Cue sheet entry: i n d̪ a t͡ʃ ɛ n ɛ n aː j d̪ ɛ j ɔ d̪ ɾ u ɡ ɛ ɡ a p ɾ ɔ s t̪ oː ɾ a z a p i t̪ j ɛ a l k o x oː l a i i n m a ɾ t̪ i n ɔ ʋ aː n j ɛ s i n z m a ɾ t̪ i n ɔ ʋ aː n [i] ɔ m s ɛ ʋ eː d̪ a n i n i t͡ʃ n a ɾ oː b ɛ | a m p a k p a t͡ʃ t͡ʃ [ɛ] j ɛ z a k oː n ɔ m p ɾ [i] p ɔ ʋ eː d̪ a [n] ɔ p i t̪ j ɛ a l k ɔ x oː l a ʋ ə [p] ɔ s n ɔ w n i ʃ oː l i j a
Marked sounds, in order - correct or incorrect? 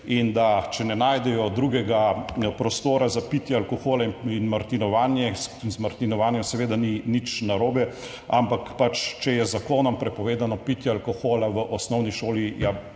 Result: incorrect: j, correct, incorrect: ɛ, correct, incorrect: ʔ

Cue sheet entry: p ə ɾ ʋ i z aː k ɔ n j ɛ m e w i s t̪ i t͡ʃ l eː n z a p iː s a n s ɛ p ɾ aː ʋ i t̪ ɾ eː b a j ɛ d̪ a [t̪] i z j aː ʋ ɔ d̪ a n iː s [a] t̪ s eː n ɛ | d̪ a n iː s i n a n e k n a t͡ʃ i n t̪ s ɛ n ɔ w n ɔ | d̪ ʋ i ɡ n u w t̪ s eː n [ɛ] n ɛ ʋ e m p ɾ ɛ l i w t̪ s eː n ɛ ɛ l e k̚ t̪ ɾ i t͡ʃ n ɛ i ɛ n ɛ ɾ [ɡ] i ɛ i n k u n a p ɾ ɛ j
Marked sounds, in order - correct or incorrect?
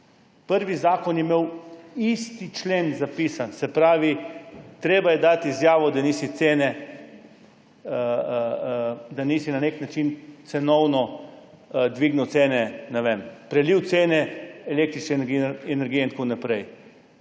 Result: correct, incorrect: i, correct, correct

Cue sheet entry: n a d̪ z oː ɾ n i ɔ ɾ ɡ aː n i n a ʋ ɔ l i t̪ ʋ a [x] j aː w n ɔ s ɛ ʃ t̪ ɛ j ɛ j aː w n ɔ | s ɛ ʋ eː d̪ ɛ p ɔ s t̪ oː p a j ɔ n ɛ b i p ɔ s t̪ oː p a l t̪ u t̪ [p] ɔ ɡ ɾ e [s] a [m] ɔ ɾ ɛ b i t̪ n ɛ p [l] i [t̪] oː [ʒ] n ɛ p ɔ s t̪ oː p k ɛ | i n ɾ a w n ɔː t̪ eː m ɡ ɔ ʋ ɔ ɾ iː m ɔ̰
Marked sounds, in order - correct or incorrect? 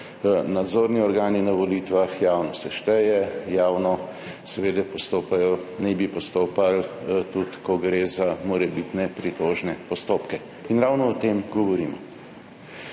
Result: correct, incorrect: k, incorrect: z, correct, incorrect: ɾ, correct, correct

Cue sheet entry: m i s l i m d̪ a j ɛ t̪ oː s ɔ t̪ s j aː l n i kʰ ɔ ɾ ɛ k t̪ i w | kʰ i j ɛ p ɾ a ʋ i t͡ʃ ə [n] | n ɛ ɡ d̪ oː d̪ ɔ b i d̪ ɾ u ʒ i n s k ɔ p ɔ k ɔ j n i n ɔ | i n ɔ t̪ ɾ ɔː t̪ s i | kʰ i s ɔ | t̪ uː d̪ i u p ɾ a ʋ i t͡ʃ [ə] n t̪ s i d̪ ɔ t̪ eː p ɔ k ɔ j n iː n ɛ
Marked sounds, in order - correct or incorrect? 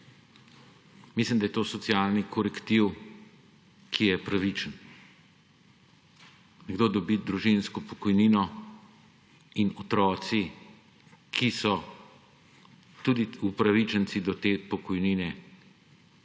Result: correct, correct

